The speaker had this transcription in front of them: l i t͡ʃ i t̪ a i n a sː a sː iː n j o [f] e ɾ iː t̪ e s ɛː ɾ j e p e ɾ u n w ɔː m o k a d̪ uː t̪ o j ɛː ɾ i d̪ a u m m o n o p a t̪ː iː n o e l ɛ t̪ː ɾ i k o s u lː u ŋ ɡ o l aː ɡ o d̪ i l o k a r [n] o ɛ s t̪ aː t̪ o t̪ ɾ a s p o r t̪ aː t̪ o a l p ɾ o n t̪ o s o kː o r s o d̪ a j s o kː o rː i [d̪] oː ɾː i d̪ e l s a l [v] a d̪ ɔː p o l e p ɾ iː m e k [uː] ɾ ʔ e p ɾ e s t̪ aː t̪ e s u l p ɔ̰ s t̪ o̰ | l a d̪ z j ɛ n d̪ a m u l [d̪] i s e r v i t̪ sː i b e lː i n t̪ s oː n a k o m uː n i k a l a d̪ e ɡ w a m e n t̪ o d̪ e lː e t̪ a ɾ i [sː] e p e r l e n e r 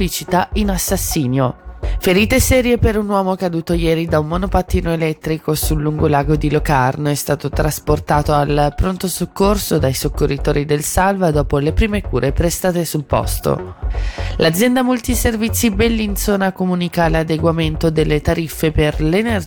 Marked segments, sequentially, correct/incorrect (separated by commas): correct, correct, incorrect, correct, correct, incorrect, incorrect